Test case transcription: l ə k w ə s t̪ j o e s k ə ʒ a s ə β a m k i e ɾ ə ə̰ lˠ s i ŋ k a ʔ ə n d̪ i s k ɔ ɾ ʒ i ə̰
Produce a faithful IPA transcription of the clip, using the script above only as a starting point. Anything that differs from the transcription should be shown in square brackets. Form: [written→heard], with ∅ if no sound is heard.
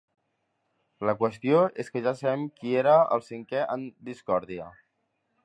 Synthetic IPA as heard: l ə k w ə s t̪ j o e s k ə ʒ a s ə β [a→ɛ] m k i e ɾ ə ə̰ lˠ s i ŋ k [a→ɛ] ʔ ə n d̪ i s k ɔ ɾ [ʒ→ð] i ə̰